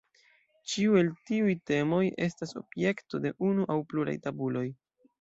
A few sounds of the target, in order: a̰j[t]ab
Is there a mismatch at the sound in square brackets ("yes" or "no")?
no